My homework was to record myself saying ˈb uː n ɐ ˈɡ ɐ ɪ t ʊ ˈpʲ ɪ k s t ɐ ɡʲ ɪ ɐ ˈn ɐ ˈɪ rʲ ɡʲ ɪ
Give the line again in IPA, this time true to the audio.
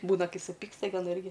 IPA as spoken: ˈb uː n ɐ ˈk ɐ ɪ s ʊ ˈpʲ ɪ k s t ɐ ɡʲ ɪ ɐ ˈn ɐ ˈɪ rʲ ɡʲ ɪ